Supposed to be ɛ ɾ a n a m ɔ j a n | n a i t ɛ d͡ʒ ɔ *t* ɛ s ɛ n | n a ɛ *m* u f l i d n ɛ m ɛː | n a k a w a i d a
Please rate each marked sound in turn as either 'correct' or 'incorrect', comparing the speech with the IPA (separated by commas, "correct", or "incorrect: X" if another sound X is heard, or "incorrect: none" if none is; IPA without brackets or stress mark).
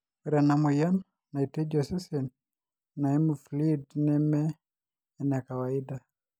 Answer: incorrect: s, correct